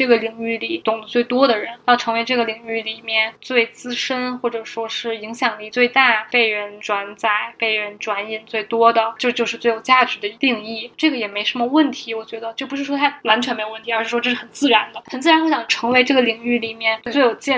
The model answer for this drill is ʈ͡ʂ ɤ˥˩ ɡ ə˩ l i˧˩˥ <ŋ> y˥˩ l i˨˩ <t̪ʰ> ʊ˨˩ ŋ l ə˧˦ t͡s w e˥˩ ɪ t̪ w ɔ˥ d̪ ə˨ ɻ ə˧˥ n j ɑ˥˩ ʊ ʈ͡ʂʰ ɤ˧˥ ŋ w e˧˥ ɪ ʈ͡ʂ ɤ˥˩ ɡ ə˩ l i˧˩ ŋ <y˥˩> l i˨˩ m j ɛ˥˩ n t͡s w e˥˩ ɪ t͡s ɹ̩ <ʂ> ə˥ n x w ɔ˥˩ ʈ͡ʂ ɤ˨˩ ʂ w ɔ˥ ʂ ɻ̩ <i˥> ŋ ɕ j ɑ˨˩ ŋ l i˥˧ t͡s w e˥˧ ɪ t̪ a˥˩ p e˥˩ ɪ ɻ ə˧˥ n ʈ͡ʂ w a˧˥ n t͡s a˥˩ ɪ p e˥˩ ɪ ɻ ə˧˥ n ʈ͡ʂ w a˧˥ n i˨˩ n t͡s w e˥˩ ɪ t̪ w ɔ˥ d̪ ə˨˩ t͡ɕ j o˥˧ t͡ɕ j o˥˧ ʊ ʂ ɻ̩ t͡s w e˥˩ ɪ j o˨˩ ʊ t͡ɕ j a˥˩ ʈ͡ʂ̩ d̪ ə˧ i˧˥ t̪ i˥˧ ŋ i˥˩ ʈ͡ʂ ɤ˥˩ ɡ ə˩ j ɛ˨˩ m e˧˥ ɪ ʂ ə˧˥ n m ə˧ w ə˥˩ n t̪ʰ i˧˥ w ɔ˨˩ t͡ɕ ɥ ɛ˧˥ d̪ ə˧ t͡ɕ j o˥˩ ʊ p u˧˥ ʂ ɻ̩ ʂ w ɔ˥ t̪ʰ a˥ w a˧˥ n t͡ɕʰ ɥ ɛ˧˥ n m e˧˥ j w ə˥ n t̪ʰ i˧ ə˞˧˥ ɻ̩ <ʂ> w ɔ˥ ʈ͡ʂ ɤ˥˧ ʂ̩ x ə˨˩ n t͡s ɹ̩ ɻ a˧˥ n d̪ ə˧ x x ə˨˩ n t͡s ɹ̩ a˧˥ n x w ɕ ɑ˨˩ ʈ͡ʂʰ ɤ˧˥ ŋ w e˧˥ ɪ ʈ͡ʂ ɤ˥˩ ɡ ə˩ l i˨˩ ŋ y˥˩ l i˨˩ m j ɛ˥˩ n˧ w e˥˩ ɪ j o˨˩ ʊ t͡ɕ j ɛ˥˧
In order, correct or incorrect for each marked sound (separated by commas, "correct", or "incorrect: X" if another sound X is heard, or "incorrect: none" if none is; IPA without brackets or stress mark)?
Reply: correct, incorrect: t̪, correct, correct, incorrect: i˧˥, correct